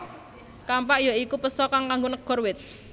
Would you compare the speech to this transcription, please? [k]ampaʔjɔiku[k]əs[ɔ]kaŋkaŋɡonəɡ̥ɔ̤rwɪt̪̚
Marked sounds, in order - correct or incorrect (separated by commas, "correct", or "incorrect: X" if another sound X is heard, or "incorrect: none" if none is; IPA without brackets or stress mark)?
correct, incorrect: p, correct